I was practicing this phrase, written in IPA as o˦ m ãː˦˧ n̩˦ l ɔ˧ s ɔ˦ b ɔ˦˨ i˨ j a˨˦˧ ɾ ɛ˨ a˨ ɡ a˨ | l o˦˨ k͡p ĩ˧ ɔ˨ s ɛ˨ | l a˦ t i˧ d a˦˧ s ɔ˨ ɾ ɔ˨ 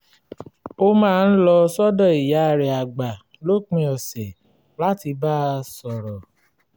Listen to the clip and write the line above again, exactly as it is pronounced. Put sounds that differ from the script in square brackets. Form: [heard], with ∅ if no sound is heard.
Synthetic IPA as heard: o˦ m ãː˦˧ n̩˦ l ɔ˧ s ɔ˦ [d] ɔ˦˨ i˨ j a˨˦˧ ɾ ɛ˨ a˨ [ɡ͡b] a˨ | l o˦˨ k͡p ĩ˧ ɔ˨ s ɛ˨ | l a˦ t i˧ [b] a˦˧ s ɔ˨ ɾ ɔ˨

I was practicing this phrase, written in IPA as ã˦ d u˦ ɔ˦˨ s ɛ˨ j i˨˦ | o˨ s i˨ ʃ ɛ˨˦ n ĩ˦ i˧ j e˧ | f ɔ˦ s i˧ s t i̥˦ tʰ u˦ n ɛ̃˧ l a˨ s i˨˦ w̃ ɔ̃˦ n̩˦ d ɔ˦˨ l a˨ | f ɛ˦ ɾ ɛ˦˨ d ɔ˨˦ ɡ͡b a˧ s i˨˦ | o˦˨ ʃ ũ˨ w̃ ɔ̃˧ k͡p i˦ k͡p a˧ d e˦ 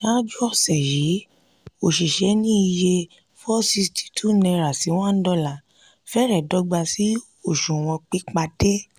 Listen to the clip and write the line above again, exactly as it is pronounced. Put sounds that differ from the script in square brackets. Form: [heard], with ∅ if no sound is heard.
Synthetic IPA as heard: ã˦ [d͡ʒ] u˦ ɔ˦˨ s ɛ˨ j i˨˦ | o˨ [ʃ] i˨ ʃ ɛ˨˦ n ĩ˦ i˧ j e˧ | f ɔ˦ s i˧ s t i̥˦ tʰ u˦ n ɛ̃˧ [ɾ] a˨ s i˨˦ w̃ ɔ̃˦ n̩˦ d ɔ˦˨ l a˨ | f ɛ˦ ɾ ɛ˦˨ d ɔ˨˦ ɡ͡b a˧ s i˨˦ | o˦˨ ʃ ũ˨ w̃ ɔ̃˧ k͡p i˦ k͡p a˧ d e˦

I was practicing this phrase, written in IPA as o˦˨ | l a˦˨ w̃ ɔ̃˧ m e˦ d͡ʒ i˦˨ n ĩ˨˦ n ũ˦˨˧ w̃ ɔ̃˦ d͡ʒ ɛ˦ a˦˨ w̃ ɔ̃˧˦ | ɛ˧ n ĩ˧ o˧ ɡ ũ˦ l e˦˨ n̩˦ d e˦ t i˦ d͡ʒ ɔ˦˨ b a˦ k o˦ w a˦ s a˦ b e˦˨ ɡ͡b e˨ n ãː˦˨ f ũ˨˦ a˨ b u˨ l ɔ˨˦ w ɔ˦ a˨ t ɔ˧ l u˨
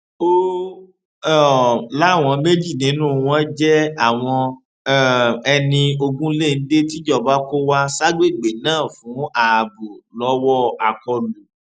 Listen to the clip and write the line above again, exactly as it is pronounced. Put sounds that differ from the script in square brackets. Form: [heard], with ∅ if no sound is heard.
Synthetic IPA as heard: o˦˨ | l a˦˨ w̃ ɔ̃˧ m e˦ d͡ʒ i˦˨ n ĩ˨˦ n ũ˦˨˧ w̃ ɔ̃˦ d͡ʒ ɛ˦ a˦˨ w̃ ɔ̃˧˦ | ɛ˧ n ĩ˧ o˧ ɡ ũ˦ l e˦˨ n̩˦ d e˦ t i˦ d͡ʒ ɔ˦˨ b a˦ k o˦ w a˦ s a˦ [ɡ͡b] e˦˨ ɡ͡b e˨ n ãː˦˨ f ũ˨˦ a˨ b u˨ l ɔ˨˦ w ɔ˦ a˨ [k] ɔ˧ l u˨

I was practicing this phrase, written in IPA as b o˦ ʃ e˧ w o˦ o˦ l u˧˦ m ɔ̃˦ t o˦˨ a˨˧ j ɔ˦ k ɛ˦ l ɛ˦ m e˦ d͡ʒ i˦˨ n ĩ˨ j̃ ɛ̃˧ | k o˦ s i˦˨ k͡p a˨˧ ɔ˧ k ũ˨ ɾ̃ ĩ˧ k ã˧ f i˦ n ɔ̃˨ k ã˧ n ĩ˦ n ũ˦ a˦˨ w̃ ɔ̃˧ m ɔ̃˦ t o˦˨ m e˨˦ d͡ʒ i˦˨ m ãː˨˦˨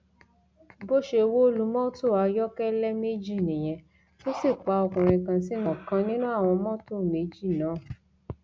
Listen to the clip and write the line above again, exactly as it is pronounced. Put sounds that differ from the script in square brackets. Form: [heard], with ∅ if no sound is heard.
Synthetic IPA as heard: b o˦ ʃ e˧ w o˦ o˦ l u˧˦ m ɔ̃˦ t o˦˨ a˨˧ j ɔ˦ k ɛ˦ l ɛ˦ m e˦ d͡ʒ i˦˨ n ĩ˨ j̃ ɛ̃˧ | [t] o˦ s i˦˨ k͡p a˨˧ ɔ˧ k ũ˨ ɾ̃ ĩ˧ k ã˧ [s] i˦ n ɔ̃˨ k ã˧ n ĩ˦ n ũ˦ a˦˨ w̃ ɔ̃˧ m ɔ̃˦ t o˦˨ m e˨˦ d͡ʒ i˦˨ [n] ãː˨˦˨

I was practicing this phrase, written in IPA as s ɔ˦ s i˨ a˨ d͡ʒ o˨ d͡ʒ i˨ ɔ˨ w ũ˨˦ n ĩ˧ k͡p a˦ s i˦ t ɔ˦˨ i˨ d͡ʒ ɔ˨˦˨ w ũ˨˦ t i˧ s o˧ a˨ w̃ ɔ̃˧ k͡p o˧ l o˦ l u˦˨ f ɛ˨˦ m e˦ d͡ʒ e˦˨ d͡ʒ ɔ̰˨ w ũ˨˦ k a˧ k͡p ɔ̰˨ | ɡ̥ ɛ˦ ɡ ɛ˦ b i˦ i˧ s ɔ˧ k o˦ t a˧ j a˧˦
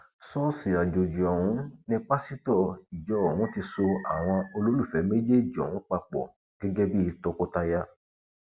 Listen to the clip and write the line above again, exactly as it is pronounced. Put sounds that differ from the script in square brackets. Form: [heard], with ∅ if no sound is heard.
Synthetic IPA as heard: s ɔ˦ s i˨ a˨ d͡ʒ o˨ d͡ʒ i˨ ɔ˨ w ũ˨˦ n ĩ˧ k͡p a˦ s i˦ t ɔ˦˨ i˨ d͡ʒ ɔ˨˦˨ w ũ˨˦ t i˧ s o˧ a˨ w̃ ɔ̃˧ [∅] o˧ l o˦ l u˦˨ f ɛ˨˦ m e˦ d͡ʒ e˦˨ d͡ʒ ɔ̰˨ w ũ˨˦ [k͡p] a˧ k͡p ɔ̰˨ | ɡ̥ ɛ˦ ɡ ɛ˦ b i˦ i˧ [t] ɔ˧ k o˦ t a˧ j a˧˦

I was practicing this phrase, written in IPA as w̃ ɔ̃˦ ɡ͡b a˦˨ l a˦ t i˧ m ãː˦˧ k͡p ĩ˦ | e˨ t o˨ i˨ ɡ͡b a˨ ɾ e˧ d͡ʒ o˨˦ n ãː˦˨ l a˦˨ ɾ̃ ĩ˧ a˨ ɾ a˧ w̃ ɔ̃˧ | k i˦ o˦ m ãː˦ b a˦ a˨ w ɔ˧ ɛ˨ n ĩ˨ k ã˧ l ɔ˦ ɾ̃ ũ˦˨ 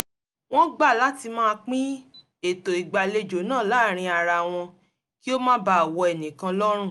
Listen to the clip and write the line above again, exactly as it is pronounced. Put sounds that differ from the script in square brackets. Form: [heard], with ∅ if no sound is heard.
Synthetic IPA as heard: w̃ ɔ̃˦ ɡ͡b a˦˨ l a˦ t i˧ m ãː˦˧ k͡p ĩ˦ | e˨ t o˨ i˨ ɡ͡b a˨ [l] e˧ d͡ʒ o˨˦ n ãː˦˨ l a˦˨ ɾ̃ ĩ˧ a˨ ɾ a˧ w̃ ɔ̃˧ | k i˦ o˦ m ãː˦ b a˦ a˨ w ɔ˧ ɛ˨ n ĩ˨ k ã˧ l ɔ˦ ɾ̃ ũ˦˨

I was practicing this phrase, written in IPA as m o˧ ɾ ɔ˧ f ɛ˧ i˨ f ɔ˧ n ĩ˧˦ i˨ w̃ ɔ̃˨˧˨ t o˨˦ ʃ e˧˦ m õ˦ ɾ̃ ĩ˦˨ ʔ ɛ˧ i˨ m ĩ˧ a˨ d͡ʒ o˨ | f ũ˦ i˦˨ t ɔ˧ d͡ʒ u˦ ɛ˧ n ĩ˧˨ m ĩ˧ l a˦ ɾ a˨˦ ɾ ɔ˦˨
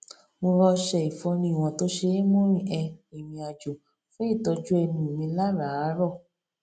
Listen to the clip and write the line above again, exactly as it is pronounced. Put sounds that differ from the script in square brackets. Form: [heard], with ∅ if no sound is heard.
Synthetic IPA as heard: m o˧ ɾ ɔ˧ [ʃ] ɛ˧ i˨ f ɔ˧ n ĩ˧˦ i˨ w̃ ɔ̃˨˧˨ t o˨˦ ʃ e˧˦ m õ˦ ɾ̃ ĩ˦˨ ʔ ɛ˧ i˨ m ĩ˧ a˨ d͡ʒ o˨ | f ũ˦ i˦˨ t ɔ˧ d͡ʒ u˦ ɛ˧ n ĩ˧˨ m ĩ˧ l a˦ ɾ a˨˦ ɾ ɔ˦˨

